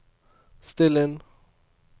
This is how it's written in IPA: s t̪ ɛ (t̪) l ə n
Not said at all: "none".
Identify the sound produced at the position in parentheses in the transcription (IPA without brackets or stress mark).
none